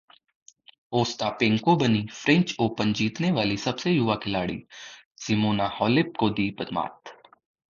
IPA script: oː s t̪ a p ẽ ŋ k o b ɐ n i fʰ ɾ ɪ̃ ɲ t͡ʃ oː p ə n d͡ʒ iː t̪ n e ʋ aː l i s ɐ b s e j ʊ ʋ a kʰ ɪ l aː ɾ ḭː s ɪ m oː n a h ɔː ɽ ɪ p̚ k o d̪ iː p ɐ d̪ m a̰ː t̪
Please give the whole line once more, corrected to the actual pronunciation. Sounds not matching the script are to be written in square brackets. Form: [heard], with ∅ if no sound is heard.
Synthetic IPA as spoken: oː s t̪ a p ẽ ŋ k o b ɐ n i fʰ ɾ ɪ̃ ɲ t͡ʃ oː p ə n d͡ʒ iː t̪ n e ʋ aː l i s ɐ b s e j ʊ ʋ a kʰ ɪ l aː [ɽ] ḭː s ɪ m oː n a h ɔː [l] ɪ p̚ k o d̪ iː p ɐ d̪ m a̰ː t̪